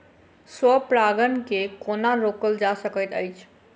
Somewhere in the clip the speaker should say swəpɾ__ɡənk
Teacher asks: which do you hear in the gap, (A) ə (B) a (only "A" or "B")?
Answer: B